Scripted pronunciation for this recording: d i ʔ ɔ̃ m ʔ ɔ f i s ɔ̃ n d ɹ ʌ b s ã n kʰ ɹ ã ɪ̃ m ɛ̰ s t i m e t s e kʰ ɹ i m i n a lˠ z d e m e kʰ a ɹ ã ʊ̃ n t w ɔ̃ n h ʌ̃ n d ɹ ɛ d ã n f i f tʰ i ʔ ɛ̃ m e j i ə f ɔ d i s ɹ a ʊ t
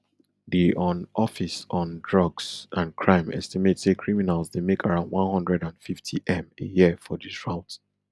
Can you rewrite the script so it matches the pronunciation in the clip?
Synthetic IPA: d i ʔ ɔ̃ n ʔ ɔ f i s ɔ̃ n d ɹ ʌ ɡ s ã n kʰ ɹ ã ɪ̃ m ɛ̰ s t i m e t s e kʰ ɹ i m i n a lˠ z d e m e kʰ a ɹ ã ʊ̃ n d w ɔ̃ n h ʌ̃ n d ɹ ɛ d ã n f i f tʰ i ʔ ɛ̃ m e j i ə f ɔ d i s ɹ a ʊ t